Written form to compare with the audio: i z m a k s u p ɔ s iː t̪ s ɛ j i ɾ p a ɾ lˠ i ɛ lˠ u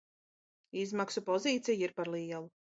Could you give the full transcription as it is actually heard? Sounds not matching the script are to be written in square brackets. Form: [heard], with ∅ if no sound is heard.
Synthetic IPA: i z m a k s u p ɔ [z] iː t̪ s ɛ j i ɾ p a ɾ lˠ i ɛ lˠ u

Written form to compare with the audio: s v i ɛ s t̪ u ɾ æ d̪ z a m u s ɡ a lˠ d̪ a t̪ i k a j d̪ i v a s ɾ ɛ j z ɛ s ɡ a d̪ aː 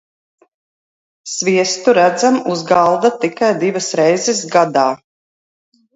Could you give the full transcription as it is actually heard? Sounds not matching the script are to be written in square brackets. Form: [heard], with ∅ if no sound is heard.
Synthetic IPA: s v i ɛ s t̪ u ɾ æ d̪ z a m u [z] ɡ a lˠ d̪ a t̪ i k a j d̪ i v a s ɾ ɛ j z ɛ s ɡ a d̪ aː

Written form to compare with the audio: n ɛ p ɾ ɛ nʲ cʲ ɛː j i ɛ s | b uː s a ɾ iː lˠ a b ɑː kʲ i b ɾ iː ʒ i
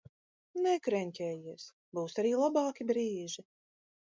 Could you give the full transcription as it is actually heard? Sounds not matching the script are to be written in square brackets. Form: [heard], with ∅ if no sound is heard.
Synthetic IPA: n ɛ [k] ɾ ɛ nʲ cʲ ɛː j i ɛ s | b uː s a ɾ iː lˠ a b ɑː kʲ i b ɾ iː ʒ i

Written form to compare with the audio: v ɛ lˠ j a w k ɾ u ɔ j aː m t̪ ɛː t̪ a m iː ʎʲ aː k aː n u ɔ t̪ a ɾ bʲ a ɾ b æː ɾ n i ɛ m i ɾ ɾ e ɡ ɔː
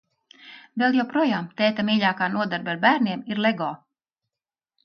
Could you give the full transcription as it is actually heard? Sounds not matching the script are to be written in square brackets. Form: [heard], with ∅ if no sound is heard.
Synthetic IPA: v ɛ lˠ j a w [p] ɾ u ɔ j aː m t̪ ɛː t̪ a m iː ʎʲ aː k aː n u ɔ [d̪] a ɾ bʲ a ɾ b æː ɾ n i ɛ m i ɾ [l] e ɡ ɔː

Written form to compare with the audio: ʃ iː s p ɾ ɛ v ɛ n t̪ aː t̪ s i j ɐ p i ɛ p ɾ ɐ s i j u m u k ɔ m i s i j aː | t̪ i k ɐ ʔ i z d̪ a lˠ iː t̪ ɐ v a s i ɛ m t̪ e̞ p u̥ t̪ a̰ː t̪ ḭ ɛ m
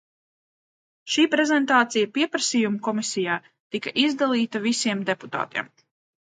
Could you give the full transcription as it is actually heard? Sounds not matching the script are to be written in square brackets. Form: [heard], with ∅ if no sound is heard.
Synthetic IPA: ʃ iː [∅] p ɾ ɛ [z] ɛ n t̪ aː t̪ s i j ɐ p i ɛ p ɾ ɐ s i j u m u k ɔ m i s i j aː | t̪ i k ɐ ʔ i z d̪ a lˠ iː t̪ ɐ v [i] s i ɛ m [d̪] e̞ p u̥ t̪ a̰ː t̪ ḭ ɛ m

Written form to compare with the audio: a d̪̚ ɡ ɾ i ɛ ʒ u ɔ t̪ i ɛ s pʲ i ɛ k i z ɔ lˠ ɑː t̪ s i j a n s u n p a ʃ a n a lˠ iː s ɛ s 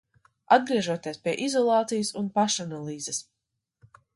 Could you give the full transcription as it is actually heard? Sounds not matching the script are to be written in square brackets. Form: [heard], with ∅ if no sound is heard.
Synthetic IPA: a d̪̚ ɡ ɾ i ɛ ʒ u ɔ t̪ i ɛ s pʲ i ɛ [ʔ] i z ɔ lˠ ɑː t̪ s i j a [∅] s u n p a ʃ a n a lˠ iː [z] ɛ s

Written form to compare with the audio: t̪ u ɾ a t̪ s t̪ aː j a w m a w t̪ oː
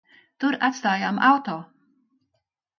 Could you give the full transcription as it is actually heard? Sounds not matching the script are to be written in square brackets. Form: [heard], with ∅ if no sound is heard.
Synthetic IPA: t̪ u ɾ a t̪ s t̪ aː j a [∅] m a w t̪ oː

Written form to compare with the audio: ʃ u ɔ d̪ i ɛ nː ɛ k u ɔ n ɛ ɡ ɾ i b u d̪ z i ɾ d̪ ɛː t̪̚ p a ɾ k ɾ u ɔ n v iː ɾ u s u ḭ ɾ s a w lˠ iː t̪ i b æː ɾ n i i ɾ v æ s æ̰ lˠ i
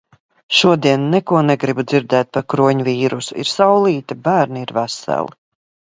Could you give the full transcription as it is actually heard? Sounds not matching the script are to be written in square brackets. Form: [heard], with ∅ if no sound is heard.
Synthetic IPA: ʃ u ɔ d̪ i ɛ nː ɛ k u ɔ n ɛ ɡ ɾ i b u d̪ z i ɾ d̪ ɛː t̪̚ p a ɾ k ɾ u ɔ [ɲ] v iː ɾ u s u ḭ ɾ s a w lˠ iː t̪ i b æː ɾ n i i ɾ v æ s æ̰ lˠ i

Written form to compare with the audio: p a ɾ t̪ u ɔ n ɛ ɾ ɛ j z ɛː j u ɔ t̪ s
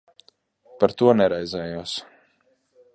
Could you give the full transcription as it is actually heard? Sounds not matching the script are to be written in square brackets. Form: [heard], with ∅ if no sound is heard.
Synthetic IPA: p a ɾ t̪ u ɔ n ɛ ɾ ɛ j z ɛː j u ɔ [∅] s

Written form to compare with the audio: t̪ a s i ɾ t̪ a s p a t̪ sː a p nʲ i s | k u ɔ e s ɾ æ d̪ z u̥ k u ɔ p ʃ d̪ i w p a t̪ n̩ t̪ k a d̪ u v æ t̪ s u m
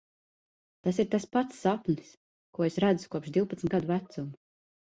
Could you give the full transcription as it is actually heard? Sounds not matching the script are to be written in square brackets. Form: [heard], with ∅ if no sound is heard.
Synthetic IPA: t̪ a s i ɾ t̪ a s p a t̪ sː a p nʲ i s | k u ɔ e s ɾ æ d̪ z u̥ k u ɔ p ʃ d̪ i w p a t̪ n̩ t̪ [ɡ] a d̪ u v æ t̪ s u m

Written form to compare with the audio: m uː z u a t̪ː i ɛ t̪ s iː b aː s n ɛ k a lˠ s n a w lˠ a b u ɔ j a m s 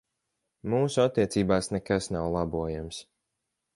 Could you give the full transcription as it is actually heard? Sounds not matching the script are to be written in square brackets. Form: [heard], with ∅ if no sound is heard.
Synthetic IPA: m uː [s] u a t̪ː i ɛ t̪ s iː b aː s n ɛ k a [∅] s n a w lˠ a b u ɔ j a m s

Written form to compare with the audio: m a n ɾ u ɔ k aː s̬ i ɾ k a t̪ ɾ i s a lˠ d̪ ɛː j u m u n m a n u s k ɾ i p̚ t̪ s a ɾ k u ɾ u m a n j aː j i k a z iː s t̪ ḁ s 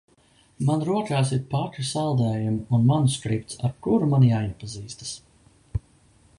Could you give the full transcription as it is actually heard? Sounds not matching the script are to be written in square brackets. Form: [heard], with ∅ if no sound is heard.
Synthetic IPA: m a n ɾ u ɔ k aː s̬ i ɾ [p] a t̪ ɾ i s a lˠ d̪ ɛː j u m u n m a n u s k ɾ i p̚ t̪ s a ɾ k u ɾ u m a n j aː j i [p] a z iː s t̪ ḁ s

